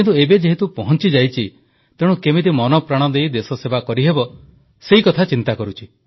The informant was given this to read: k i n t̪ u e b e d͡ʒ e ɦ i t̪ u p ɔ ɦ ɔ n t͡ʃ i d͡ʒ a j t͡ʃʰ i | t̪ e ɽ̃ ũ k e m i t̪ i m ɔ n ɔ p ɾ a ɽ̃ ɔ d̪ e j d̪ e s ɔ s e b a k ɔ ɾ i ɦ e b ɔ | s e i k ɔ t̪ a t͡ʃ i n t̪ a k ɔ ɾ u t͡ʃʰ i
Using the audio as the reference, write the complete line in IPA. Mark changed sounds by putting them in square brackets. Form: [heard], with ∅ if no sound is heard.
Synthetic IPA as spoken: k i n t̪ u e b e d͡ʒ e ɦ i t̪ u p ɔ ɦ ɔ n t͡ʃ i d͡ʒ a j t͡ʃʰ i | t̪ e ɽ̃ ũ k e m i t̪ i m ɔ n ɔ p ɾ a ɽ̃ ɔ d̪ e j d̪ e s ɔ s e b a k ɔ ɾ i ɦ e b ɔ | s e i k ɔ [t̪ʰ] a t͡ʃ i n t̪ a k ɔ ɾ u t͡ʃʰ i

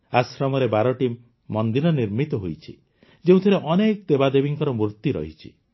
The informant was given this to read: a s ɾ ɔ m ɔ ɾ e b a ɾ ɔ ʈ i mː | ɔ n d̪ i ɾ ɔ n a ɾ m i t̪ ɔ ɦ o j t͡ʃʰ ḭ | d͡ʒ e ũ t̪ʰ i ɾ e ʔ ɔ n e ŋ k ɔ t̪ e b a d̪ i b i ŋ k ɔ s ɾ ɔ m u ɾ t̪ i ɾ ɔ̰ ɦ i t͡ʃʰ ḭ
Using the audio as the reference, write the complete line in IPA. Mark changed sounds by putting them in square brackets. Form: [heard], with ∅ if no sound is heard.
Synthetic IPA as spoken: a s ɾ ɔ m ɔ ɾ e b a ɾ ɔ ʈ i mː | ɔ n d̪ i ɾ ɔ n [i] ɾ m i t̪ ɔ ɦ o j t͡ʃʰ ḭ | d͡ʒ e ũ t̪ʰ i ɾ e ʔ ɔ n e [∅] k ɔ t̪ e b a d̪ [e] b i ŋ k ɔ [∅] ɾ ɔ m u ɾ t̪ i ɾ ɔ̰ ɦ i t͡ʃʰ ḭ

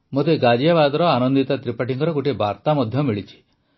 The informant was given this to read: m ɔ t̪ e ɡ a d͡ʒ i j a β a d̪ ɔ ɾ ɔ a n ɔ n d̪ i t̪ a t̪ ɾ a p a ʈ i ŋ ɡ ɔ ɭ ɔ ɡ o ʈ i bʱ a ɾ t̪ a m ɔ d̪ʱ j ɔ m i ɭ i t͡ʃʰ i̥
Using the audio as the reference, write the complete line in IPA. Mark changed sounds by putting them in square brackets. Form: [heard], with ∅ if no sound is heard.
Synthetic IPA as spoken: m [o] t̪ e ɡ a d͡ʒ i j a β a d̪ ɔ ɾ ɔ a n ɔ n d̪ i t̪ a t̪ ɾ [i] p a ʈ i ŋ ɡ ɔ [ɾ] ɔ ɡ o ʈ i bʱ a ɾ t̪ a m ɔ d̪ʱ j ɔ m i ɭ i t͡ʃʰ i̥

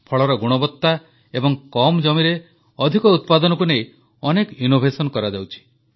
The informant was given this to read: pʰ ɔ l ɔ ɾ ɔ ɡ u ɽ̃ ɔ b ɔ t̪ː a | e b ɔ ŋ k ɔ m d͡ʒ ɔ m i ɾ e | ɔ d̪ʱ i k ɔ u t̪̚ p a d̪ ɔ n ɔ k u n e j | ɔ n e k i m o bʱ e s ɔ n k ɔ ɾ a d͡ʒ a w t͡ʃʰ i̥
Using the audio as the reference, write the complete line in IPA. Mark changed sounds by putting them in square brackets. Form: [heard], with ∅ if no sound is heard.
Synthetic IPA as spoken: pʰ ɔ [ɭ] ɔ ɾ ɔ ɡ u ɽ̃ ɔ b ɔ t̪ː a | e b ɔ ŋ k ɔ m d͡ʒ ɔ m i ɾ e | ɔ d̪ʱ i k ɔ u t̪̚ p a d̪ ɔ n ɔ k u n e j | ɔ n e k i [n] o bʱ e s ɔ n k ɔ ɾ a d͡ʒ a w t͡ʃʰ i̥

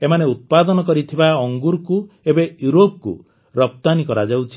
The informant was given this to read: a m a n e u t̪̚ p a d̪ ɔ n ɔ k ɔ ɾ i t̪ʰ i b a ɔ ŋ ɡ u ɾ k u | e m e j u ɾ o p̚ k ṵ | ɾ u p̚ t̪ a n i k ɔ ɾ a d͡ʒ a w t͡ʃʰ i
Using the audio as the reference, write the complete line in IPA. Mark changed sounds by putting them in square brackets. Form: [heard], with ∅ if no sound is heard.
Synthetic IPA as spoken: [e] m a n e u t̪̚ p a d̪ ɔ n ɔ k ɔ ɾ i t̪ʰ i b a ɔ ŋ ɡ u ɾ k u | e [b] e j u ɾ o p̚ k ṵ | ɾ [ɔ] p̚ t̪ a n i k ɔ ɾ a d͡ʒ a w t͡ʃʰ i

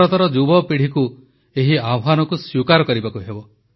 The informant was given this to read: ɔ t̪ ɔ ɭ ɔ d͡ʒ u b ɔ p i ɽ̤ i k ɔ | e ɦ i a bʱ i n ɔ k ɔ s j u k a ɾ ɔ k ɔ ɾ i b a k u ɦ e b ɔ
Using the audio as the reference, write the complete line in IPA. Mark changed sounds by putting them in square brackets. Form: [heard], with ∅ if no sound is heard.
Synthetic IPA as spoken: ɔ t̪ ɔ [ɾ] ɔ d͡ʒ u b ɔ p i ɽ̤ i k [u] | e ɦ i a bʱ [a] n ɔ k [u] s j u k a ɾ ɔ k ɔ ɾ i b a k u ɦ e b ɔ

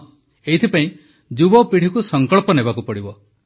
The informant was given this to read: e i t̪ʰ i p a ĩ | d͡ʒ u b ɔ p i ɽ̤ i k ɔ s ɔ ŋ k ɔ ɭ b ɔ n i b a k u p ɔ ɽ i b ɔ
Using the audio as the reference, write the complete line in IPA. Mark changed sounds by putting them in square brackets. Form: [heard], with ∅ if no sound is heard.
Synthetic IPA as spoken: e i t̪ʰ i p a ĩ | d͡ʒ u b ɔ p i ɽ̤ i k [u] s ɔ ŋ k ɔ ɭ [p] ɔ n [e] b a k u p ɔ ɽ i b ɔ

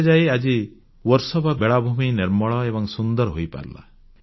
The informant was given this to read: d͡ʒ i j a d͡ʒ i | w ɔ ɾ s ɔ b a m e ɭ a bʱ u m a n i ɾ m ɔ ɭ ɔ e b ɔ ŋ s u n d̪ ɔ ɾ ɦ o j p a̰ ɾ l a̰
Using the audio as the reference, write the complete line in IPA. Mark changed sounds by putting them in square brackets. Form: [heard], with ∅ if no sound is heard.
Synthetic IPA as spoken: d͡ʒ [a] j a d͡ʒ i | w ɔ ɾ s ɔ b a [b] e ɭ a bʱ u m [i] n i ɾ m ɔ ɭ ɔ e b ɔ ŋ s u n d̪ ɔ ɾ ɦ o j p a̰ ɾ l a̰

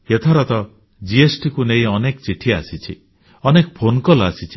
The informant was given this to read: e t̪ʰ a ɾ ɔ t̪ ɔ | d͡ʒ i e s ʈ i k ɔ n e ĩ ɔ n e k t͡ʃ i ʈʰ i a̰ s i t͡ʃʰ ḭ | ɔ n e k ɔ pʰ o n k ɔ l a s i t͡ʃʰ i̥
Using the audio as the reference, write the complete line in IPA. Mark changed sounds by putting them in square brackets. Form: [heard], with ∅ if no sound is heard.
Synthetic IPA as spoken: e t̪ʰ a ɾ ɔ t̪ ɔ | d͡ʒ i e s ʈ i k [u] n e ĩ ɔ n e k t͡ʃ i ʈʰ i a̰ s i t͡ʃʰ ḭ | ɔ n e k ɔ pʰ o n k ɔ l a s i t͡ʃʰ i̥

